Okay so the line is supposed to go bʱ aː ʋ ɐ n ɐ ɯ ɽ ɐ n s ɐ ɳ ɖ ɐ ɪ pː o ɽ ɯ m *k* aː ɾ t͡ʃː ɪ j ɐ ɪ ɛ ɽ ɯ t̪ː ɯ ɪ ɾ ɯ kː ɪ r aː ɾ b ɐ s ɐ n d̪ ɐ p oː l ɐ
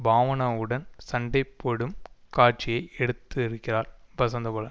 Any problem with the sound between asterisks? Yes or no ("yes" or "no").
no